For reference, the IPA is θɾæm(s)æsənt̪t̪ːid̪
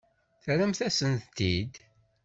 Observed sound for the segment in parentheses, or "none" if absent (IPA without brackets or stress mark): θ